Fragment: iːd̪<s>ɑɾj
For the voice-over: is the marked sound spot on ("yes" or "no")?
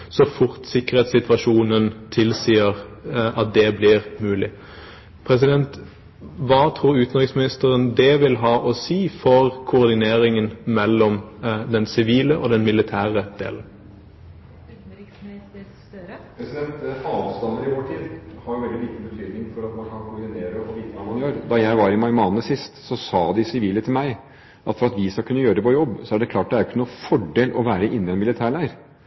no